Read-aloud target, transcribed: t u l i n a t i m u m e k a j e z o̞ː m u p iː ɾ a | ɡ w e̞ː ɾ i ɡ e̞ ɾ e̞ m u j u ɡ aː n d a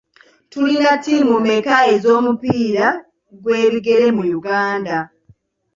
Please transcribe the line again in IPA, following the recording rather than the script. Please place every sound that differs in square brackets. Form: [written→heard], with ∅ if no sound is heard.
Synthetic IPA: t u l i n a t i m u m e k a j e z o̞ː m u p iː ɾ a | ɡ w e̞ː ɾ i ɡ e̞ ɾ e̞ m u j u ɡ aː n d a